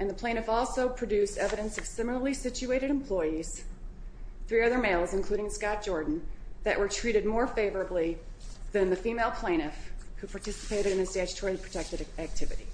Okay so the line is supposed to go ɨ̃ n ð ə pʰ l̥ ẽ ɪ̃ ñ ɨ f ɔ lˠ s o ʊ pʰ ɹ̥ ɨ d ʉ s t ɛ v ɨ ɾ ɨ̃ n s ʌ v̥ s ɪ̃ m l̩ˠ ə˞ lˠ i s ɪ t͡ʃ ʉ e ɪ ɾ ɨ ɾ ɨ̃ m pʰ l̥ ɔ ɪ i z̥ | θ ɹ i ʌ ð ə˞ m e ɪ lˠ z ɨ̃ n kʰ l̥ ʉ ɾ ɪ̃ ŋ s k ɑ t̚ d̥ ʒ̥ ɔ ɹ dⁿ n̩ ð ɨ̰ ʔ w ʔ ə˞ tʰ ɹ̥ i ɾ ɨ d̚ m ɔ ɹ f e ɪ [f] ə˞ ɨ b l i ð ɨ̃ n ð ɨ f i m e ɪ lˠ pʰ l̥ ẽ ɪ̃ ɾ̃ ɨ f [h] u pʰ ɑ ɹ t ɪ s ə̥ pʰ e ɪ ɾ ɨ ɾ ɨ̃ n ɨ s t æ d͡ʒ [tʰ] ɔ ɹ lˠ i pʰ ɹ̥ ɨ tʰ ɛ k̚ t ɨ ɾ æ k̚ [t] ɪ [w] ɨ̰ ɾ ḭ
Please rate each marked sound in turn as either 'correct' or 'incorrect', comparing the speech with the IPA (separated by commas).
incorrect, correct, correct, incorrect, incorrect